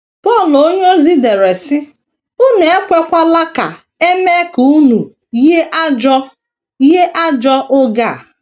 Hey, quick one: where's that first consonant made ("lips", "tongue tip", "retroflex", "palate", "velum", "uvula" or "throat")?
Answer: lips